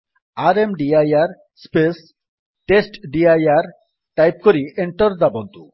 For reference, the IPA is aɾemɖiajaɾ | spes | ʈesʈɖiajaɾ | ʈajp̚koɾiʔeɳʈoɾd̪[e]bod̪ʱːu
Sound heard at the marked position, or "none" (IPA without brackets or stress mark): a